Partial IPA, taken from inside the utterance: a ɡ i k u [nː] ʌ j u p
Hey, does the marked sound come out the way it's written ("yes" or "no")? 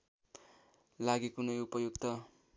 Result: no